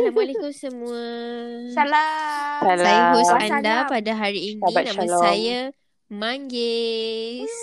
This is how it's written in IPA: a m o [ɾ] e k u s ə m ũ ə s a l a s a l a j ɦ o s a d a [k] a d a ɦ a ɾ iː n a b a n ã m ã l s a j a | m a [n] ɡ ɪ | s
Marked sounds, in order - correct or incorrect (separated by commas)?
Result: incorrect, incorrect, incorrect